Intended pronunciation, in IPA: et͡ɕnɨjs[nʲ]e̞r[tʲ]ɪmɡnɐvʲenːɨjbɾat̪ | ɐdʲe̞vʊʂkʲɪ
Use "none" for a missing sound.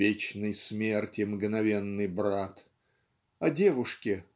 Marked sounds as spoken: mʲ, tʲ

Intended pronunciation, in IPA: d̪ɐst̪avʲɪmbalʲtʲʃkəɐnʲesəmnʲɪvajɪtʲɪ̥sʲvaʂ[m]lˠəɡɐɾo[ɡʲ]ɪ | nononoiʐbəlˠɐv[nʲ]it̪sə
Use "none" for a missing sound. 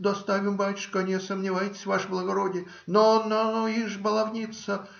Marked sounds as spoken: b, dʲ, nʲ

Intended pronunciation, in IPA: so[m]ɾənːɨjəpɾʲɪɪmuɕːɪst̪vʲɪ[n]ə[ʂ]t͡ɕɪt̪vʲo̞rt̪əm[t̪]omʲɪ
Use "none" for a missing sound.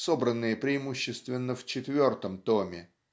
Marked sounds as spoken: b, nː, f, t̪

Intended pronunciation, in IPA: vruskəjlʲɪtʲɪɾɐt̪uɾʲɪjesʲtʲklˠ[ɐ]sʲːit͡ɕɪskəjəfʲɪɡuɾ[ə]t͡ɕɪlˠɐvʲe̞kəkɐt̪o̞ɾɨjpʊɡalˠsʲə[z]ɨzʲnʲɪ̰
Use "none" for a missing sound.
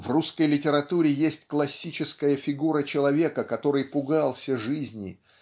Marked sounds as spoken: ɐ, ə, ʐ

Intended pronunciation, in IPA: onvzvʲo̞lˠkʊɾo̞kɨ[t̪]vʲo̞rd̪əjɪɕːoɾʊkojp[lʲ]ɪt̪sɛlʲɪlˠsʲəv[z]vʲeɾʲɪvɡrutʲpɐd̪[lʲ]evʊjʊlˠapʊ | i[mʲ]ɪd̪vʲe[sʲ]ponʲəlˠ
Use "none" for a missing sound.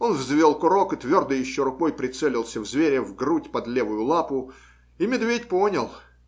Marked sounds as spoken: t̪, ɾʲ, z, lʲ, mʲ, tʲ

